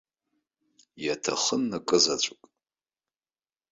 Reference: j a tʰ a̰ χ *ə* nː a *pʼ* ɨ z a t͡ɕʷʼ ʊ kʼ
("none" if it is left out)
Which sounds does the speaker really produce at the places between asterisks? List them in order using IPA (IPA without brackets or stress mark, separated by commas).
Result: ə, kʼ